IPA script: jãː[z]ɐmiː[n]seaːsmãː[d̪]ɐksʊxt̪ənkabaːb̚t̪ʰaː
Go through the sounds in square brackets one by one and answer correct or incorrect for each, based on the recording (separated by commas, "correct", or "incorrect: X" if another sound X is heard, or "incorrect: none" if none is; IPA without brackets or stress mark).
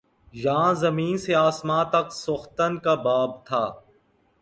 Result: correct, correct, incorrect: t̪